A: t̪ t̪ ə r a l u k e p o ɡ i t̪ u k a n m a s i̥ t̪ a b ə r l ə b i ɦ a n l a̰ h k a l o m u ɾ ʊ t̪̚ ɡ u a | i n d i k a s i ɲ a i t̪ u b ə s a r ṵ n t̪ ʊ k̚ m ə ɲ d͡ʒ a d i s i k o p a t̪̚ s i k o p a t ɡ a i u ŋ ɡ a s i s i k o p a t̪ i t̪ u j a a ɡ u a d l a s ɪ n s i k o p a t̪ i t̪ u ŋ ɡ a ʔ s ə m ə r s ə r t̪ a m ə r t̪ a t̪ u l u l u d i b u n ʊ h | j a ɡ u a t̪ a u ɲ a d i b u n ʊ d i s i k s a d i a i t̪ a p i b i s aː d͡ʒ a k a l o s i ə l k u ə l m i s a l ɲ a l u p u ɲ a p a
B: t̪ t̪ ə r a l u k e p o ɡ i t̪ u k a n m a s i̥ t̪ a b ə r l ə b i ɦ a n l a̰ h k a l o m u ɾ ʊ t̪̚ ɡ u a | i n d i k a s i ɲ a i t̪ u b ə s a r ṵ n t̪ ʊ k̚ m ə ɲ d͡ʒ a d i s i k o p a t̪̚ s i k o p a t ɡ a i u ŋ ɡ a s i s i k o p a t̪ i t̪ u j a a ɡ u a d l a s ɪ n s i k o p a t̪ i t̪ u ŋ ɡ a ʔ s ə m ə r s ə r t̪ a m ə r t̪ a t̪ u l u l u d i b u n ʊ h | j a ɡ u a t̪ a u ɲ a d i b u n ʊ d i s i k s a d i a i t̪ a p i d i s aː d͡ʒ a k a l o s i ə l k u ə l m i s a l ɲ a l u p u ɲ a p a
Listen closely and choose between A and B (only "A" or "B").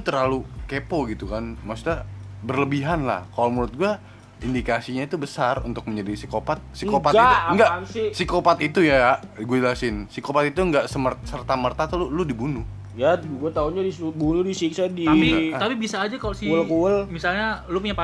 A